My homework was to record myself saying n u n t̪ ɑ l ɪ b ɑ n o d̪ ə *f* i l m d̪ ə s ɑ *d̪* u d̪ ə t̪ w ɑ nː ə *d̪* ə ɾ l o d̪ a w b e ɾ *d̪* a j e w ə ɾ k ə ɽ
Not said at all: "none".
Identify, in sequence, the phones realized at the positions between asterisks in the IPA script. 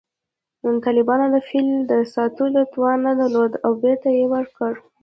f, t̪, d̪, t̪

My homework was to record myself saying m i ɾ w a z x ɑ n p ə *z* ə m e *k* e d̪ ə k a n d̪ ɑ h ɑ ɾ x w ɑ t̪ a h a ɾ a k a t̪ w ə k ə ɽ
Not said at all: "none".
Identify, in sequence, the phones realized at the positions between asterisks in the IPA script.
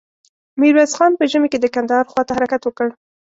ʒ, k

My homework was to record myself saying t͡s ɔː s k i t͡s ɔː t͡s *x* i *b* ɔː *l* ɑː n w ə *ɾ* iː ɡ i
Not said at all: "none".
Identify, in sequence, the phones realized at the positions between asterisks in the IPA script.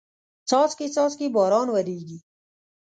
k, b, ɾ, ɾ

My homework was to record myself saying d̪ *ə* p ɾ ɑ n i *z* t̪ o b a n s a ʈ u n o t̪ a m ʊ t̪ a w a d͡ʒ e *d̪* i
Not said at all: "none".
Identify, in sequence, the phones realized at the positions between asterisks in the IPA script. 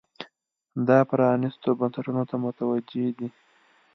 ɑ, s, d̪

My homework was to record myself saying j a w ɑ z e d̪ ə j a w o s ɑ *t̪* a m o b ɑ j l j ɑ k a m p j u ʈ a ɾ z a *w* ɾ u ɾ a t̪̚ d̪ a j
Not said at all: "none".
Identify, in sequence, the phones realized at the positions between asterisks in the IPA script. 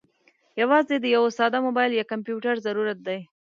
d̪, none

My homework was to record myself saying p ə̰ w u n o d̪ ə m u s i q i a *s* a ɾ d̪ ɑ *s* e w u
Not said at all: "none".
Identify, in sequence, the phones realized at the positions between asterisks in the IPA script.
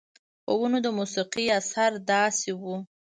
s, s

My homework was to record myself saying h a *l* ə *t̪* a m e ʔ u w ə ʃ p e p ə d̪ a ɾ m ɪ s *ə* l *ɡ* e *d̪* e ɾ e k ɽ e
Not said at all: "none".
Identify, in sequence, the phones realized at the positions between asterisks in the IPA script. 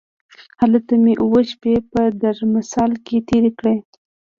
l, t̪, ɑ, k, t̪

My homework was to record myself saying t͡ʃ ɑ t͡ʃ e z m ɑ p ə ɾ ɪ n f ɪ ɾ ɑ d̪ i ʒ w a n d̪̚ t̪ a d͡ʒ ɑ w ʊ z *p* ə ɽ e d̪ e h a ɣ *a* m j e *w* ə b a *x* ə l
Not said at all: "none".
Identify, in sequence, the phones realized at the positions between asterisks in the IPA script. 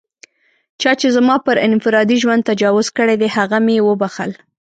k, a, w, x

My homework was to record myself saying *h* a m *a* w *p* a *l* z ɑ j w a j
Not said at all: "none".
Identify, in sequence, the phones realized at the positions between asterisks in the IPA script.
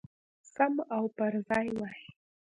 s, a, p, ɾ

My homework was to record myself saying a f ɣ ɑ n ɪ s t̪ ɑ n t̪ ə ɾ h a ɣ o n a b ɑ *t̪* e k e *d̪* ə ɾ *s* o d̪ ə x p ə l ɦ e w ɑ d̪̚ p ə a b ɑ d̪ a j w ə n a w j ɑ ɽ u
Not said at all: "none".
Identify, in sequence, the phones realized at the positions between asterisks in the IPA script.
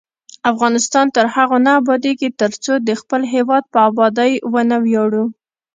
d̪, t̪, t͡s

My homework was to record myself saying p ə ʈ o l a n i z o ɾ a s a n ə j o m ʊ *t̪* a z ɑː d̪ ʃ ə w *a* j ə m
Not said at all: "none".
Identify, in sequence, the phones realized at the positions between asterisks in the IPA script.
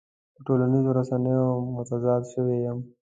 t̪, e

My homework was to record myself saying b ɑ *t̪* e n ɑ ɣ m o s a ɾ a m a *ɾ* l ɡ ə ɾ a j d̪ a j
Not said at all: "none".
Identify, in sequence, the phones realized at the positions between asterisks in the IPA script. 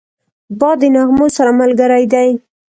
d̪, none

